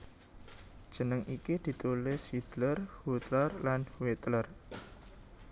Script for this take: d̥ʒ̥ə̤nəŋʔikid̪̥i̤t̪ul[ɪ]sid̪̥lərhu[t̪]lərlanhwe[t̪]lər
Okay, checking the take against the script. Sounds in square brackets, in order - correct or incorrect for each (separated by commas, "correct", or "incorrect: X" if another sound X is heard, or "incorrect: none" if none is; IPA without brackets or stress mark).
correct, correct, correct